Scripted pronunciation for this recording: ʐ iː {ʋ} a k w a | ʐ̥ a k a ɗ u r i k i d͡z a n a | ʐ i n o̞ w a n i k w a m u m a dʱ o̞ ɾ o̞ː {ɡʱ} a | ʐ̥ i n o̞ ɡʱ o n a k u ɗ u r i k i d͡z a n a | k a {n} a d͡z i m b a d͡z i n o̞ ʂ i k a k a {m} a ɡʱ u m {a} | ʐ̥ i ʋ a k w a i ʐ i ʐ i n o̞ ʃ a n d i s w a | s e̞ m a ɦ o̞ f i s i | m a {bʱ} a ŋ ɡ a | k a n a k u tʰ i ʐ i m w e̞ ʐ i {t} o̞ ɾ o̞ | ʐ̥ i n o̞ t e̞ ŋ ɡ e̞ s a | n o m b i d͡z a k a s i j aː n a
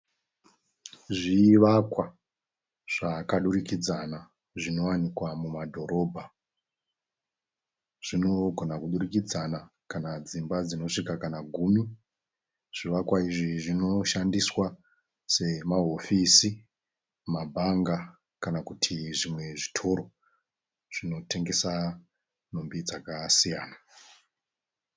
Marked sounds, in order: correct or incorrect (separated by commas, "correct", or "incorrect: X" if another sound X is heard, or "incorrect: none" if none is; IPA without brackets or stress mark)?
correct, incorrect: bʱ, correct, incorrect: n, incorrect: i, correct, incorrect: tʰ